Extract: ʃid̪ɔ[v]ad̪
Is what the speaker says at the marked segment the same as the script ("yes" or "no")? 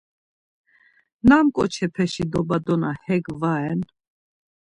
no